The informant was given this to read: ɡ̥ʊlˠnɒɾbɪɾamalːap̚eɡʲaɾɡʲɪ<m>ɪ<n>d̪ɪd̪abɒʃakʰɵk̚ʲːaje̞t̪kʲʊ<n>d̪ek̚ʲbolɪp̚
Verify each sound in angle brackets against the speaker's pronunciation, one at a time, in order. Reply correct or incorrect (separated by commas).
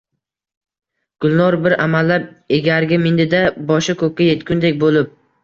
correct, correct, correct